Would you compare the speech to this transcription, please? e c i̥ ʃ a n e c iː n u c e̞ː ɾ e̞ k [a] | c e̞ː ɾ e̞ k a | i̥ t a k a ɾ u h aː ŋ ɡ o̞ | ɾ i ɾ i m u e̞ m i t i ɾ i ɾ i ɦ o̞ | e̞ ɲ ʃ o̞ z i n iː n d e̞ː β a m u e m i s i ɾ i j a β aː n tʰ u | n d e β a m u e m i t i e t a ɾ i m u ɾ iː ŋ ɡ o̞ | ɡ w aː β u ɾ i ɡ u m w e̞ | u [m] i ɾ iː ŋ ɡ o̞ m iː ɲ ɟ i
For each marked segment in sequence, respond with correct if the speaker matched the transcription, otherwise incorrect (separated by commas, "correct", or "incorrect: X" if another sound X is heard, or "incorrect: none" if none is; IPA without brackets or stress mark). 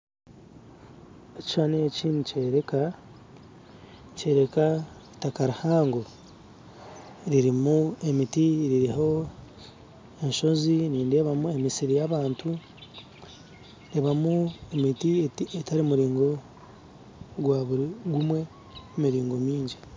correct, correct